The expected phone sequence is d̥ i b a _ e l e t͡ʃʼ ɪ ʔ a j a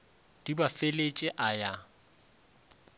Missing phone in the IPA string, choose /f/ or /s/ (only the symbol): f